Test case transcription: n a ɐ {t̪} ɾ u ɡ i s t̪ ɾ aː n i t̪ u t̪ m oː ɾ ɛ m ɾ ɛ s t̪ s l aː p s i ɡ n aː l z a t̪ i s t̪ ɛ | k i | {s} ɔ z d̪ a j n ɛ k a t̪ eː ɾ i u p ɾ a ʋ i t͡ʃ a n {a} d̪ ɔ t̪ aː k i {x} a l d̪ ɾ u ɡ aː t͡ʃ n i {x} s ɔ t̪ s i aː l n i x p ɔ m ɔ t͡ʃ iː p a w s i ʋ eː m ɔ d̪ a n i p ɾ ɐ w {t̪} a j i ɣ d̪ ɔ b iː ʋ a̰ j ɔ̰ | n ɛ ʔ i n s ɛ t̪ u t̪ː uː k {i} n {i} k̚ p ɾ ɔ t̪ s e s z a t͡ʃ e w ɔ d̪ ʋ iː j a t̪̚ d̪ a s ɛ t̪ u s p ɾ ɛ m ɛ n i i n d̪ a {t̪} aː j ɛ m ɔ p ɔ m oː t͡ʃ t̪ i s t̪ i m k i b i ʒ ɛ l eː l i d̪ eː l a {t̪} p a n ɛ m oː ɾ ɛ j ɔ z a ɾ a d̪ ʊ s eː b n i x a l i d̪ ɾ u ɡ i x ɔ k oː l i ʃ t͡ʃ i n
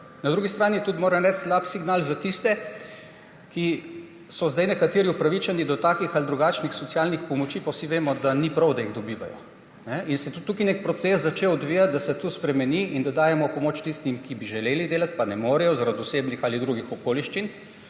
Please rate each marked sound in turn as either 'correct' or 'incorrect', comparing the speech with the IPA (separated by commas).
incorrect, correct, incorrect, correct, correct, incorrect, correct, incorrect, incorrect, correct